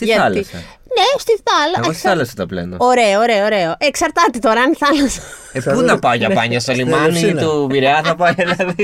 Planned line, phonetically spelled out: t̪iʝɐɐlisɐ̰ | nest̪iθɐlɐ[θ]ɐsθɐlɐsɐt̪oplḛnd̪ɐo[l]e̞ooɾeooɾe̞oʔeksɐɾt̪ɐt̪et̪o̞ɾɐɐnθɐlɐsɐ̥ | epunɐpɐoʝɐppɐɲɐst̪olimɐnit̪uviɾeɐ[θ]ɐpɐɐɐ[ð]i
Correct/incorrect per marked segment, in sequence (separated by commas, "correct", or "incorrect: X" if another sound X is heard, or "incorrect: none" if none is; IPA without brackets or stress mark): incorrect: none, incorrect: ɾ, correct, correct